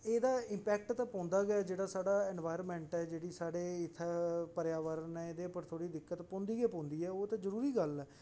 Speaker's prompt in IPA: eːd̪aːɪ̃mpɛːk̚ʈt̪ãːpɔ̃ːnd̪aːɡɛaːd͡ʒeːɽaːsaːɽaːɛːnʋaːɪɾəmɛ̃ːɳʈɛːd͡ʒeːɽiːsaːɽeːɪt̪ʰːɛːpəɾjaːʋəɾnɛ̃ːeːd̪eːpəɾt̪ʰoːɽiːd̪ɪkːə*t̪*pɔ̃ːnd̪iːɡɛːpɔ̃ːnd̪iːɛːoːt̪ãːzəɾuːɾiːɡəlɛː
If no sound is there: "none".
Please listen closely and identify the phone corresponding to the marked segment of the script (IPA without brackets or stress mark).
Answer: t̪